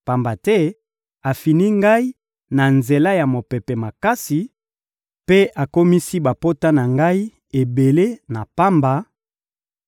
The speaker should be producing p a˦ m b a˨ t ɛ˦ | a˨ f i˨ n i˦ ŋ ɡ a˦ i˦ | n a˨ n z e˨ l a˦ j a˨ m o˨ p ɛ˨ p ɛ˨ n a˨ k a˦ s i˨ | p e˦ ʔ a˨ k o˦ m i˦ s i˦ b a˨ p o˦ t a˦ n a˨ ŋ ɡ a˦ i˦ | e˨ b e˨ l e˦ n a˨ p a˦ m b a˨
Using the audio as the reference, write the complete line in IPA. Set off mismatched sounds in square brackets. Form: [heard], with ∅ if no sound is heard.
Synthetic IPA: p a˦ m b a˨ t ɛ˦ | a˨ f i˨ n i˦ ŋ ɡ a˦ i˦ | n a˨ n z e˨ l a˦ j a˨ m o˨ p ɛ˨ p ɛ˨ [m] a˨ k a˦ s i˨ | p e˦ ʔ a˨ k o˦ m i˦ s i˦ b a˨ p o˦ t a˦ n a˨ ŋ ɡ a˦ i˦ | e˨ b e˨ l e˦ n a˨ p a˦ m b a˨